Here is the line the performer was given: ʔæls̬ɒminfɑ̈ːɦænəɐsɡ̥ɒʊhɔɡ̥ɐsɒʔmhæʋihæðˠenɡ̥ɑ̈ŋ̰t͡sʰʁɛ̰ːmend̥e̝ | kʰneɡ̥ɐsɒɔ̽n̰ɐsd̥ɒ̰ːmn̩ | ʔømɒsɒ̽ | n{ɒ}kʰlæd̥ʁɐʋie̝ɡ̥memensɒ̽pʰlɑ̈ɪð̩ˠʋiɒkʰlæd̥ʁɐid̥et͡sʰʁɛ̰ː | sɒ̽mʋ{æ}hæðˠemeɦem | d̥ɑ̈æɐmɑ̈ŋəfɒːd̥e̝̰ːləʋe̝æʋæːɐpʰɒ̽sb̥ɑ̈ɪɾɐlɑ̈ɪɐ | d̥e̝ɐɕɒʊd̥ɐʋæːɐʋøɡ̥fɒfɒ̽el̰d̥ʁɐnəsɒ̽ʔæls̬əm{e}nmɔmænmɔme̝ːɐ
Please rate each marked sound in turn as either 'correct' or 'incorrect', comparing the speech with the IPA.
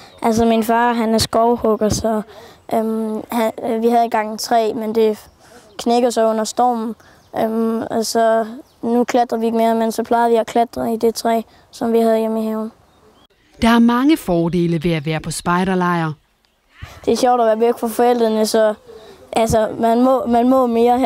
incorrect: u, incorrect: i, incorrect: æ

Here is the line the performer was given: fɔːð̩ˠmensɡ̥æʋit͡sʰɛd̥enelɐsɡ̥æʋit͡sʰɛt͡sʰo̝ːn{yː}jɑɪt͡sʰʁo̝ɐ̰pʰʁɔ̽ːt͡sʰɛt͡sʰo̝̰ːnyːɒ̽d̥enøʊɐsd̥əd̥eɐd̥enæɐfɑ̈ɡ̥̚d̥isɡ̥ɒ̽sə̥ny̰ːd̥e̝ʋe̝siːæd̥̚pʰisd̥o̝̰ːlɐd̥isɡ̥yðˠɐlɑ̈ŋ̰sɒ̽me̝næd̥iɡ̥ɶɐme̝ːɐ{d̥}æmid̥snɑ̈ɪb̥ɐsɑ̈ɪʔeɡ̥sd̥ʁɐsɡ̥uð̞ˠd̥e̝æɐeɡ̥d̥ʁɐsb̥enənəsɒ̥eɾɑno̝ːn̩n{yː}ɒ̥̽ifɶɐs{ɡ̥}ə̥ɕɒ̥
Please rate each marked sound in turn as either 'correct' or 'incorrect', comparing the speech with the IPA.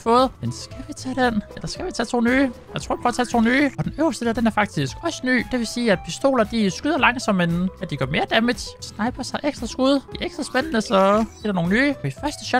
correct, correct, correct, incorrect: d̥

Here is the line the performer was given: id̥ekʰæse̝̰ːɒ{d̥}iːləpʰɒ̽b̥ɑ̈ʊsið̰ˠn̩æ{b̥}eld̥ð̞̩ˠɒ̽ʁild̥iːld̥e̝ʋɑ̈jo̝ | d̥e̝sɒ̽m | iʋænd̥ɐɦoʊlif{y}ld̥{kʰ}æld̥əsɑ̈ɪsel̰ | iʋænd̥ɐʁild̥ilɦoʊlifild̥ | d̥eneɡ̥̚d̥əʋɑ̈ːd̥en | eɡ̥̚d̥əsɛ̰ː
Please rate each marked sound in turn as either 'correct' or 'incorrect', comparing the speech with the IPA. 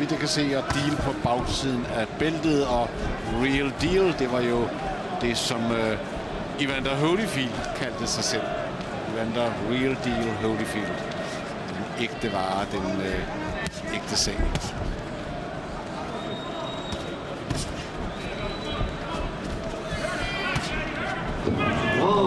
correct, correct, incorrect: i, correct

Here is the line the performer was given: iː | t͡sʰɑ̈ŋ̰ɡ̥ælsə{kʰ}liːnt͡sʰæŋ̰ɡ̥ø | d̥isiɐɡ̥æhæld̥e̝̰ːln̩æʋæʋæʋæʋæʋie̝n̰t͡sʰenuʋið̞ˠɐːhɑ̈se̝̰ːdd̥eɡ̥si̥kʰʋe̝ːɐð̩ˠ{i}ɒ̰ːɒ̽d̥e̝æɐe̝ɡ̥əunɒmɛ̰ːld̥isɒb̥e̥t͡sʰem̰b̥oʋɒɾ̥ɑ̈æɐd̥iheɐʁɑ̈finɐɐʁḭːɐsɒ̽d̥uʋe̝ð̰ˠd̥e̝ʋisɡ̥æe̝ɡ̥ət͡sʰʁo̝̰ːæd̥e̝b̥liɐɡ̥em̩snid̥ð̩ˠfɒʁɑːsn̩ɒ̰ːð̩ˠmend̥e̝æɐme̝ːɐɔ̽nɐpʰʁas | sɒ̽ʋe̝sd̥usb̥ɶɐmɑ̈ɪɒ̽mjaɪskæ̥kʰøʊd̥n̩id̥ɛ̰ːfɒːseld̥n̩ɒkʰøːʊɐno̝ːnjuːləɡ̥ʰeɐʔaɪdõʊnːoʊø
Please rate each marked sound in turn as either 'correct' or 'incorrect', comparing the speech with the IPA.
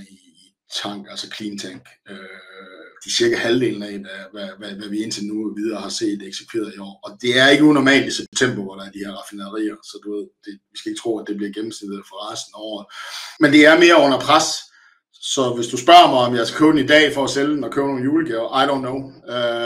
correct, correct

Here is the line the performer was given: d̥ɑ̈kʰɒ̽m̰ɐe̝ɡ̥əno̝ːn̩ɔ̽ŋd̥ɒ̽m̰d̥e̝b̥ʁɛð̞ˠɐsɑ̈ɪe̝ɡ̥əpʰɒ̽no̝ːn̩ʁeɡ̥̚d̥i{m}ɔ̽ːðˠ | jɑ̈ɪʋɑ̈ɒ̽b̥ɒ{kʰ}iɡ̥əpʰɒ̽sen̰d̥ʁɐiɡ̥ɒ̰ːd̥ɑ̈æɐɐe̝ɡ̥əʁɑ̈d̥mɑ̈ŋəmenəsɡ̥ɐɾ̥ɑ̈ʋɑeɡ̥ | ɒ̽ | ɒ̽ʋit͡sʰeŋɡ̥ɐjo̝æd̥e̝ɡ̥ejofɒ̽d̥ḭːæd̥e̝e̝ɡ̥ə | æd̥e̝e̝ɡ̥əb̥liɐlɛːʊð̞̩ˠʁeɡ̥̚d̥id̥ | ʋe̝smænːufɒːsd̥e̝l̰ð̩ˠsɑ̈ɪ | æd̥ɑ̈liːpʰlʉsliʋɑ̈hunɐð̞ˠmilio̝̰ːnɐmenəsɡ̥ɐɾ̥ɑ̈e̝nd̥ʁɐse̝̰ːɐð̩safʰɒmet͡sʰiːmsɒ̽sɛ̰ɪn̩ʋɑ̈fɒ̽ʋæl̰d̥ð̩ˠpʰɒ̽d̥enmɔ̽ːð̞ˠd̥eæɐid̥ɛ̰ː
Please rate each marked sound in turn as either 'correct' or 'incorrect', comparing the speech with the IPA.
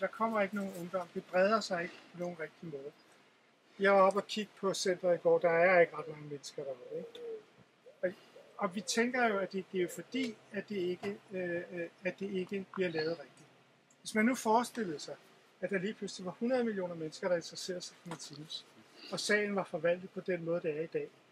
correct, correct

